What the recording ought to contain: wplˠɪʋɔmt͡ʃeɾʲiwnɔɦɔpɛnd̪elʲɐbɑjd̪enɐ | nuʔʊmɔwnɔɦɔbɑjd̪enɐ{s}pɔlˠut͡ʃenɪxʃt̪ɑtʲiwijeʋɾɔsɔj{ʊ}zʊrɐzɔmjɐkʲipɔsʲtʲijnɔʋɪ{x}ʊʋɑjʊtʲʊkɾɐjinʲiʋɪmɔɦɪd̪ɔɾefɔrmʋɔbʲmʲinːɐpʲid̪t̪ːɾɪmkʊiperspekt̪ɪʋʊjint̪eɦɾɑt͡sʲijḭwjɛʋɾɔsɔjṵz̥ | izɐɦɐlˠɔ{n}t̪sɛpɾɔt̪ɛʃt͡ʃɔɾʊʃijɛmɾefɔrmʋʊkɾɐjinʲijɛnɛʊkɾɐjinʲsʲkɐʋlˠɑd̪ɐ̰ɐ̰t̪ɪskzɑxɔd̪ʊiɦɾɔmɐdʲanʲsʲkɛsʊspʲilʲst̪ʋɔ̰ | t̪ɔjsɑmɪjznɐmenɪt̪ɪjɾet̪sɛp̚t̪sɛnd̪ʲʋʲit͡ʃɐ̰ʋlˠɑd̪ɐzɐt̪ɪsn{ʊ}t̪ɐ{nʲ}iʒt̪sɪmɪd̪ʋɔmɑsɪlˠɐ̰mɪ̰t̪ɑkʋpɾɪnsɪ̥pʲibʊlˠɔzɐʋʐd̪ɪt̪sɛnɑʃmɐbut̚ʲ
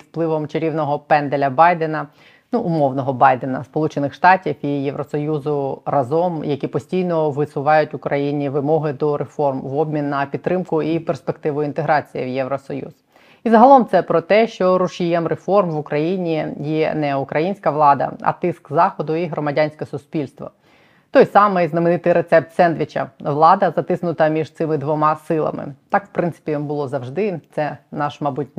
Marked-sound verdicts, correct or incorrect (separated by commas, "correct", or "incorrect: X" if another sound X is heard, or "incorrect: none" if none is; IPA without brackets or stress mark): correct, incorrect: u, incorrect: s, incorrect: m, correct, incorrect: mʲ